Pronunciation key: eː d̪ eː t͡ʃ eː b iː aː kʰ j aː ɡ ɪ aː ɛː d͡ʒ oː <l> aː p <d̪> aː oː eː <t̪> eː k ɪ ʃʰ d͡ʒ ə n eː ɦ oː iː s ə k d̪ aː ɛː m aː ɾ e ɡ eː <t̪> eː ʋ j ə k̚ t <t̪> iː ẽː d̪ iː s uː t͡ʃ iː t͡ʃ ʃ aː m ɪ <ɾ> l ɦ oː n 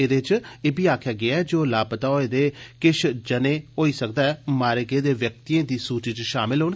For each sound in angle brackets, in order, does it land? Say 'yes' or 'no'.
yes, no, no, no, yes, no

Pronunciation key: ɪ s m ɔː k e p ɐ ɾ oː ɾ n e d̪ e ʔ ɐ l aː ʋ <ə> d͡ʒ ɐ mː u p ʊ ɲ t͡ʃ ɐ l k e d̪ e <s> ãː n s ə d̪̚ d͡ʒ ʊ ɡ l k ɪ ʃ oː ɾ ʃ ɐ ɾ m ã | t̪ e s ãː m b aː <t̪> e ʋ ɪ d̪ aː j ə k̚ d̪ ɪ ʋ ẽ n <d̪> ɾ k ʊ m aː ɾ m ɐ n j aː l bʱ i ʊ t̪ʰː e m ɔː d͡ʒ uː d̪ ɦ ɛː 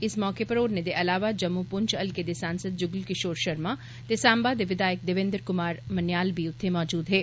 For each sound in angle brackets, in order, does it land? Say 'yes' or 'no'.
no, yes, no, yes

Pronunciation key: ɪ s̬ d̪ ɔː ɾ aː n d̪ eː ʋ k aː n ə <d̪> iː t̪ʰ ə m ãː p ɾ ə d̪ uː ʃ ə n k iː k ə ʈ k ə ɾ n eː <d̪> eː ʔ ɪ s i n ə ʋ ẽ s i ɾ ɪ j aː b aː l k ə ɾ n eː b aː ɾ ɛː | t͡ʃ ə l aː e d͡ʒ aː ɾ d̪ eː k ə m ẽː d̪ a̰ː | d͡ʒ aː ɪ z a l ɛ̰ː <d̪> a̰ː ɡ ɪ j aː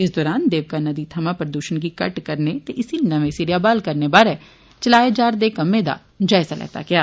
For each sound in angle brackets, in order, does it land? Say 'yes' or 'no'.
yes, no, no

